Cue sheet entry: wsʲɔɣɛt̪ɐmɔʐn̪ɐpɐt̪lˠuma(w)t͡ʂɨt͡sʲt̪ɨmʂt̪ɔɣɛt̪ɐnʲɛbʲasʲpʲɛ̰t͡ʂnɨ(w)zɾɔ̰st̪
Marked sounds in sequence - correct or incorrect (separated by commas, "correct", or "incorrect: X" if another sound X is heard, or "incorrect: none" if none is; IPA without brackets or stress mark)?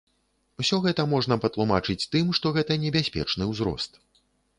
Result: incorrect: none, correct